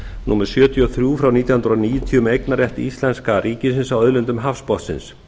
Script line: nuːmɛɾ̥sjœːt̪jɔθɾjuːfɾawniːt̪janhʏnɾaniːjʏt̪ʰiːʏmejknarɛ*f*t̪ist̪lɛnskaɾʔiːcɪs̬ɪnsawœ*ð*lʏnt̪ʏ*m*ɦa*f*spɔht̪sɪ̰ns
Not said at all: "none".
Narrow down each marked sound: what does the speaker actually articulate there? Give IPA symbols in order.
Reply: h, ð, m, f

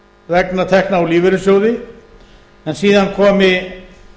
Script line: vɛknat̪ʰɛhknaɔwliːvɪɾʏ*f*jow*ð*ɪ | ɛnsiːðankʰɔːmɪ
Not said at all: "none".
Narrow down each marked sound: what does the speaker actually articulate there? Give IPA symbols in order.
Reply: s, ð

